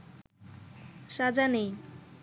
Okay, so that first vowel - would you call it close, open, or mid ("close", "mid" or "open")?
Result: open